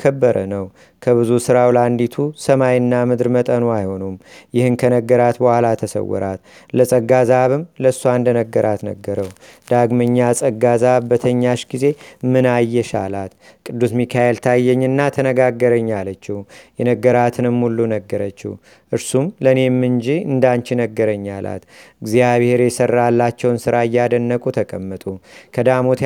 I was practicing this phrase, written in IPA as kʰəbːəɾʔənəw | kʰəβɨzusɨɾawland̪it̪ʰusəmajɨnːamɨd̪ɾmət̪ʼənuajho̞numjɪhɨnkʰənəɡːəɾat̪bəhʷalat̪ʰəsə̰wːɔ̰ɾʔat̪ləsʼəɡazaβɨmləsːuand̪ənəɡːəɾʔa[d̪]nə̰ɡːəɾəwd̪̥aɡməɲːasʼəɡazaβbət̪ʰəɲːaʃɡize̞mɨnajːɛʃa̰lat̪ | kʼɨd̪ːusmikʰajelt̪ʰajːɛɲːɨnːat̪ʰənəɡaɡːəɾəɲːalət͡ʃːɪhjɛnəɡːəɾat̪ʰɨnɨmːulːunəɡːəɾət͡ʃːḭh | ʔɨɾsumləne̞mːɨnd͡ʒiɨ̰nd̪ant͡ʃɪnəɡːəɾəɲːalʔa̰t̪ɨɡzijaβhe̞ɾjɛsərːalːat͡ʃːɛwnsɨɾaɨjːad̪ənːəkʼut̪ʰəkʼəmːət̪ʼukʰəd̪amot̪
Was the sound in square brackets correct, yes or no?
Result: no